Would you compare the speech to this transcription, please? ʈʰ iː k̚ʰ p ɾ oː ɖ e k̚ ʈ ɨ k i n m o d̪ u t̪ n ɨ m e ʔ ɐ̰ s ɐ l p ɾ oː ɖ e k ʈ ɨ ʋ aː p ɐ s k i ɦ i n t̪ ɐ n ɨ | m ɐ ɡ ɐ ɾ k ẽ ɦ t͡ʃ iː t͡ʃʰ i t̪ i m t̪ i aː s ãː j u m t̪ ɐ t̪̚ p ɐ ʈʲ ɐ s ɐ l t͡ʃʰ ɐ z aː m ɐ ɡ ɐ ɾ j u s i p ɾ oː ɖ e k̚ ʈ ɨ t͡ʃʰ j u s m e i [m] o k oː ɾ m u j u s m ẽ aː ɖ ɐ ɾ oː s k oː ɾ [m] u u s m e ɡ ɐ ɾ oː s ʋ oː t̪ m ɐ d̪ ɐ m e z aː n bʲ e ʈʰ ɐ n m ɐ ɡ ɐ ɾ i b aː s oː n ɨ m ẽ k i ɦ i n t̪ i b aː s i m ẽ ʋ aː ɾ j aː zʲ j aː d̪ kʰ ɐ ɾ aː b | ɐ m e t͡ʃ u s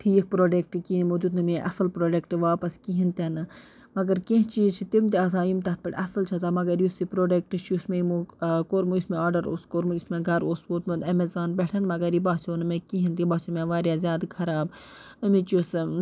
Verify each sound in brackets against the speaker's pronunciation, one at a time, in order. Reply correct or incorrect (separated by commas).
correct, correct